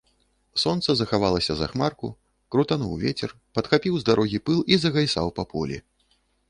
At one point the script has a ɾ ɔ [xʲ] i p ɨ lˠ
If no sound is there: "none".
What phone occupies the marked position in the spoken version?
ɣʲ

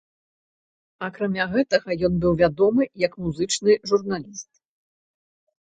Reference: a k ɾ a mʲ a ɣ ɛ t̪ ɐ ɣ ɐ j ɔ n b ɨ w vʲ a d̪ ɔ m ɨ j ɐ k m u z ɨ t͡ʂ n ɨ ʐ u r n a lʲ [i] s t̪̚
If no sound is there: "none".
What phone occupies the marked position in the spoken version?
i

